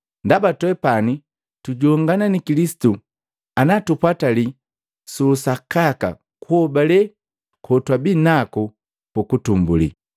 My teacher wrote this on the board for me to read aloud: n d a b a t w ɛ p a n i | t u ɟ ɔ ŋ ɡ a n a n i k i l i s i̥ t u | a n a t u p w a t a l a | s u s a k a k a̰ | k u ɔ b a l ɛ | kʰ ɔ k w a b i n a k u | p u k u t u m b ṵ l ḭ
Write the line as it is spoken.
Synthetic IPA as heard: n d a b a t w ɛ p a n i | t u ɟ ɔ ŋ ɡ a n a n i k i l i s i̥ t u | a n a t u p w a t a l i | s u s a k a k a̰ | k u ɔ b a l ɛ | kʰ ɔ t w a b i n a k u | p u k u t u m b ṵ l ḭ